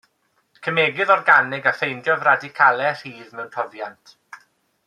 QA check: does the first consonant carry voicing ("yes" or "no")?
no